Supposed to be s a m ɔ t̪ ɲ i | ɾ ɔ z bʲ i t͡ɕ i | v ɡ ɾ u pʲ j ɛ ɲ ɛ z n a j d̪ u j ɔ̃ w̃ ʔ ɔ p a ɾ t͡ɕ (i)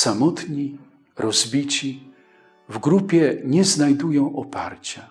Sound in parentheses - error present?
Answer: yes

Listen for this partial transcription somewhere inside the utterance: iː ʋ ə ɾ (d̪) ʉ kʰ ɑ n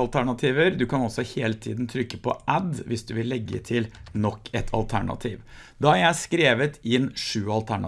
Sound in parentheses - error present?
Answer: no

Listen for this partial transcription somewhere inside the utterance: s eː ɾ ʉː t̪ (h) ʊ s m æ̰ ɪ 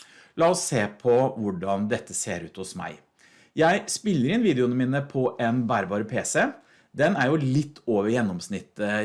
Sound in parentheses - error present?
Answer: no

